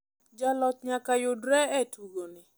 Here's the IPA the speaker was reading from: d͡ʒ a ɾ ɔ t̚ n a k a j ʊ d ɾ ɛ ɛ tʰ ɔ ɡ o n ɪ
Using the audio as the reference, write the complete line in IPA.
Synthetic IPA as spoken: d͡ʒ a l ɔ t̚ ɲ a k a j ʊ d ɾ ɛ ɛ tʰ u ɡ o n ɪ

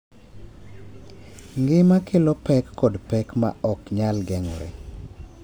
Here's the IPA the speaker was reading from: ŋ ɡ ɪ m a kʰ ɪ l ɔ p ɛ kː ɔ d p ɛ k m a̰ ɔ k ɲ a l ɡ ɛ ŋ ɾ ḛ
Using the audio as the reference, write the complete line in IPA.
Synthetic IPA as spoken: ŋ ɡ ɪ m a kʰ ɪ l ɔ p ɛ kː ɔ d p ɛ k m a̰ ɔ k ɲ a l ɡ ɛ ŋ ɾ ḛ

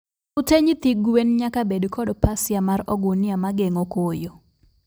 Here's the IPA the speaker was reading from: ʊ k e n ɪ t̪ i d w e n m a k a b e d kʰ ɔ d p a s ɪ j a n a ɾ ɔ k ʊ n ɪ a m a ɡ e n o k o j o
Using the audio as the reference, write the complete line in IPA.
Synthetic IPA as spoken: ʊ t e ɲ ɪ t̪ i ɡ w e n ɲ a k a b e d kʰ ɔ d p a s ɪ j a m a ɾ ɔ ɡ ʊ n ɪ a m a ɡ e ŋ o k o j o

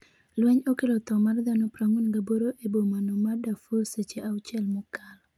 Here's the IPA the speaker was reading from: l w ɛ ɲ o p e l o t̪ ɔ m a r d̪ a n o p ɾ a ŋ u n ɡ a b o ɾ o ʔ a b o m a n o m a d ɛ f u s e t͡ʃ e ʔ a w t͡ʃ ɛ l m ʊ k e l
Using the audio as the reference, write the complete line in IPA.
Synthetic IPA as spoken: l w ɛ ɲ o k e l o t̪ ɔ m a r d̪ a n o p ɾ a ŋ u n ɡ a b o ɾ o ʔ e b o m a n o m a d a f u s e t͡ʃ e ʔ a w t͡ʃ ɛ l m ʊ k a l

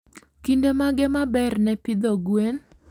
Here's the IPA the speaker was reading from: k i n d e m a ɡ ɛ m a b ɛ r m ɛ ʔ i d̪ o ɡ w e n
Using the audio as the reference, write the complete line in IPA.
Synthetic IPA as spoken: k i n d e m a ɡ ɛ m a b ɛ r n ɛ p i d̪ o ɡ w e n

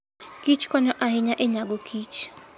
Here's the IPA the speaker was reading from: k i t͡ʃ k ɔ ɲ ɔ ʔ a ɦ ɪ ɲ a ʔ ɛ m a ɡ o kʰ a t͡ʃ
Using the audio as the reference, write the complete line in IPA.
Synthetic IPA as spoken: k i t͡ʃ k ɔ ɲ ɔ ʔ a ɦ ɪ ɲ a ʔ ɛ ɲ a ɡ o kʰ i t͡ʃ

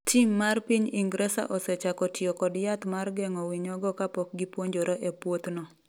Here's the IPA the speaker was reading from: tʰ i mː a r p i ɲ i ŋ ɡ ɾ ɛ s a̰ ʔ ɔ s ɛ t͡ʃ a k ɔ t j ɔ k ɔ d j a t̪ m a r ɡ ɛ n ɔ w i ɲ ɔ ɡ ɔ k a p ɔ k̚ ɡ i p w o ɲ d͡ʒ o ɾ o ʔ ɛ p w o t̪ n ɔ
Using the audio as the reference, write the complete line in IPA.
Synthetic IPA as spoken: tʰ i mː a r p i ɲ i ŋ ɡ ɾ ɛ s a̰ ʔ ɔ s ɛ t͡ʃ a k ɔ t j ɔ k ɔ d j a t̪ m a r ɡ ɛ ŋ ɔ w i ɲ ɔ ɡ ɔ k a p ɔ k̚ ɡ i p w o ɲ d͡ʒ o ɾ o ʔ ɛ p w o t̪ n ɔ

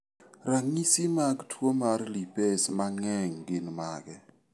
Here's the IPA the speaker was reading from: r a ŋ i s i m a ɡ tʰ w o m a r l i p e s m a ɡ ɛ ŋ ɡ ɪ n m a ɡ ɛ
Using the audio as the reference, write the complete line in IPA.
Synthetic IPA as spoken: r a ŋ i s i m a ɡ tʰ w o m a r l i p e s m a ŋ ɛ ŋ ɡ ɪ n m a ɡ ɛ

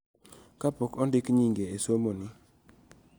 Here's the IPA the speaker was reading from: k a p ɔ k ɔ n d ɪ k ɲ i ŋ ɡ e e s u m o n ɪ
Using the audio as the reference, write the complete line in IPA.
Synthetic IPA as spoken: k a p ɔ k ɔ n d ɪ k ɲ i ŋ ɡ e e s o m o n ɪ

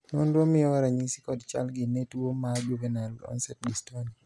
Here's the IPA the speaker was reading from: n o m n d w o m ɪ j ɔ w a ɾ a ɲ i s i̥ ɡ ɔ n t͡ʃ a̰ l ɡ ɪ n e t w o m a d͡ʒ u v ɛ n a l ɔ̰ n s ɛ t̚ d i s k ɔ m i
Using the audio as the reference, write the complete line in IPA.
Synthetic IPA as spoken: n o n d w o m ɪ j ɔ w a ɾ a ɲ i s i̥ k ɔ d t͡ʃ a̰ l ɡ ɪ n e t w o m a d͡ʒ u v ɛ n a l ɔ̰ n s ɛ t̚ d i s t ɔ n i

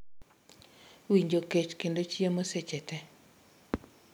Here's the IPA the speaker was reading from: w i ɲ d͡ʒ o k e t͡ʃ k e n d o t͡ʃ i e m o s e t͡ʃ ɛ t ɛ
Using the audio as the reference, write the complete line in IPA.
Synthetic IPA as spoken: w i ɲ d͡ʒ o k e t͡ʃ k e n d o t͡ʃ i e m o s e t͡ʃ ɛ t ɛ

